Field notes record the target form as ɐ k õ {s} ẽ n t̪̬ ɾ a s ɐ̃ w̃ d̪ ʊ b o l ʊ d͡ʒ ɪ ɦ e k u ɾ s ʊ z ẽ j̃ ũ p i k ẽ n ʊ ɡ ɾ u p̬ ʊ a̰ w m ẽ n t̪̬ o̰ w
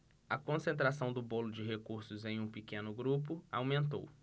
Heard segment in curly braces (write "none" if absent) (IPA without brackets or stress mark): s